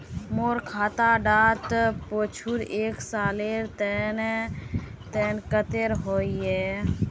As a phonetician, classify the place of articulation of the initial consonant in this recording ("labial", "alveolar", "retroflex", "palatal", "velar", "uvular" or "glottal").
labial